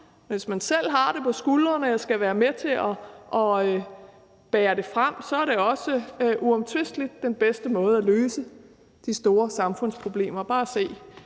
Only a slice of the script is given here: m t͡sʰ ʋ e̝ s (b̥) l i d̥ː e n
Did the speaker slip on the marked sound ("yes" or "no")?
yes